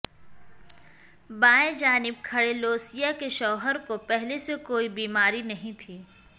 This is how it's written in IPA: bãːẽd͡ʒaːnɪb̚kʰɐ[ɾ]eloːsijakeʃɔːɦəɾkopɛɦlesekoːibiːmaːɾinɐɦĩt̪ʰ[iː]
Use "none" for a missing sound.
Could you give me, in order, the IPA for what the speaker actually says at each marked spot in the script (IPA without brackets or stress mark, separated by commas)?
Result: ɽ, iː